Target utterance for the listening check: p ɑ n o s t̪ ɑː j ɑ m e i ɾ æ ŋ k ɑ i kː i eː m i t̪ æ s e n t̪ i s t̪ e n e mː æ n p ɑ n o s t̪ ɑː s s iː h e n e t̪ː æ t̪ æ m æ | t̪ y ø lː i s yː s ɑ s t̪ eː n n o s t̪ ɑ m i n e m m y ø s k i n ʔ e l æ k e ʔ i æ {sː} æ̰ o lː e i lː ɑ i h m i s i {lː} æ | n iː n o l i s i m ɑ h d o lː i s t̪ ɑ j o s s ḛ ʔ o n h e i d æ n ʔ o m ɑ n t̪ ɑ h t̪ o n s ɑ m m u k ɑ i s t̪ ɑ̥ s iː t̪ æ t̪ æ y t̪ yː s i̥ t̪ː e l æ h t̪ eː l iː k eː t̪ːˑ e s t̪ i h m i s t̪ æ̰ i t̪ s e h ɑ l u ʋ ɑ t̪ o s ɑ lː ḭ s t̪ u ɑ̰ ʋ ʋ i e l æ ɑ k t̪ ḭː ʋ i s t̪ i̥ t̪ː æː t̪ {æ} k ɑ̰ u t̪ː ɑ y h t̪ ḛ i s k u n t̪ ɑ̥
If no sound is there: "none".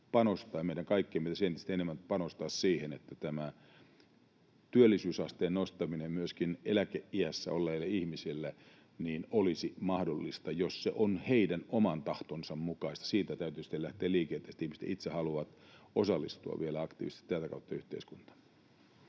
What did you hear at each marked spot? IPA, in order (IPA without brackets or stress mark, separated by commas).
sː, lː, æ